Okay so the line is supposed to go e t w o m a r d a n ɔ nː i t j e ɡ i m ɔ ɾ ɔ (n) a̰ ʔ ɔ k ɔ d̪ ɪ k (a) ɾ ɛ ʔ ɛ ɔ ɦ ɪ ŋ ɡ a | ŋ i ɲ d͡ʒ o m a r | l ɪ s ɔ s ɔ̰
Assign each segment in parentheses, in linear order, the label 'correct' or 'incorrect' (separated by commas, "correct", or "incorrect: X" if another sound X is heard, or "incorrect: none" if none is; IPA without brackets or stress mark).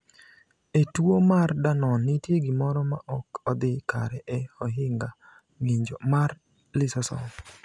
incorrect: m, correct